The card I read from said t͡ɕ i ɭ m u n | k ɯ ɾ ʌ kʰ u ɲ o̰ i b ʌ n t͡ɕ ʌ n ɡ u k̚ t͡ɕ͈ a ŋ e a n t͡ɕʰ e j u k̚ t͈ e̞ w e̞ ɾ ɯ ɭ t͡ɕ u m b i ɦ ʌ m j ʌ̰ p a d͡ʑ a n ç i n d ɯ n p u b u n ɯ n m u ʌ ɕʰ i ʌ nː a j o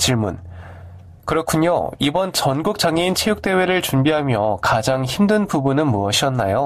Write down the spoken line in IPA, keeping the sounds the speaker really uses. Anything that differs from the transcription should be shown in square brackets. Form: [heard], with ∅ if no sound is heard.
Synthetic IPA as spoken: t͡ɕ i ɭ m u n | k ɯ ɾ ʌ kʰ u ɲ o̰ i b ʌ n t͡ɕ ʌ n ɡ u k̚ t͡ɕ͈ a ŋ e [i] n t͡ɕʰ e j u k̚ t͈ e̞ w e̞ ɾ ɯ ɭ t͡ɕ u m b i ɦ [a] m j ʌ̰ [k] a d͡ʑ a [ŋ] ç i [m] d ɯ n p u b u n ɯ n m u ʌ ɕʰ i ʌ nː a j o